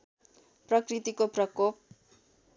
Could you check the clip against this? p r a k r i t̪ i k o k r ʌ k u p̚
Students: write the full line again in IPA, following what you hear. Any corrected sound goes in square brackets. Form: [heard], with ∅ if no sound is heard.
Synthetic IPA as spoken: p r [ʌ] k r i t̪ i k o [p] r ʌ k [o] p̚